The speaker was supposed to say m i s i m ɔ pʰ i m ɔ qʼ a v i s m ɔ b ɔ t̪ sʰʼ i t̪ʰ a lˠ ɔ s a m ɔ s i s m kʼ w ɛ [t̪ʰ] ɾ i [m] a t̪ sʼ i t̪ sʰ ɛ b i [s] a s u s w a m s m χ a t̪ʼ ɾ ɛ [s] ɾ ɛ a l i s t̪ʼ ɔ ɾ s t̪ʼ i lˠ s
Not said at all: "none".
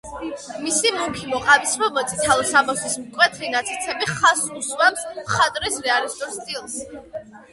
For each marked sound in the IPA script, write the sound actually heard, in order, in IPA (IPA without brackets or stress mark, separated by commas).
t̪ʰ, n, χ, s